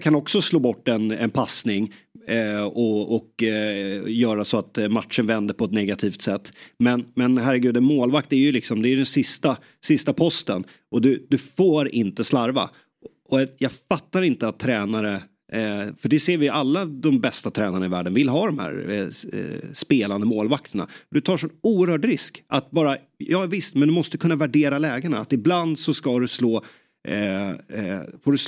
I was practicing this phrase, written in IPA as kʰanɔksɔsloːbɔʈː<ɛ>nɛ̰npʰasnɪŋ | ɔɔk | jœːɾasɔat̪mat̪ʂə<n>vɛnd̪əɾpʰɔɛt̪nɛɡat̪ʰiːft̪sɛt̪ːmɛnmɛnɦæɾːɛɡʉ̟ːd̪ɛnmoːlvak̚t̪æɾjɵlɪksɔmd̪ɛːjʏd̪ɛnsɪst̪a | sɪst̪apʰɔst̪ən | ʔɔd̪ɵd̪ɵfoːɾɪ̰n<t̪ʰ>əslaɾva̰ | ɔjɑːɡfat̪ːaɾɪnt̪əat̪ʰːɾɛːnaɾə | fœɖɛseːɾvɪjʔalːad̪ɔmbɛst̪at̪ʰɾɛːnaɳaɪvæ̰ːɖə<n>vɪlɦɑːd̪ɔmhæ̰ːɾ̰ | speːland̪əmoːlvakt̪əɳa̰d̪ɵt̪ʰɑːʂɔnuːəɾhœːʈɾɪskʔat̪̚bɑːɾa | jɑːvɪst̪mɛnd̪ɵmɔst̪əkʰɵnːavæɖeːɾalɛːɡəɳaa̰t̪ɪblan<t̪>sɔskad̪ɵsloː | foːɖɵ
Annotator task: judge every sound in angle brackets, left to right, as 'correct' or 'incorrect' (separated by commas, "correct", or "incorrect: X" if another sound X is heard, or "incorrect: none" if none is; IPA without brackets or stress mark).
correct, correct, incorrect: t̪, correct, incorrect: d̪